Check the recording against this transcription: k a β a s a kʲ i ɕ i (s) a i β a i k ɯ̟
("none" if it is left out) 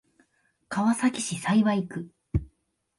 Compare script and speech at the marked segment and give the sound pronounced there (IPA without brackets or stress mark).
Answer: s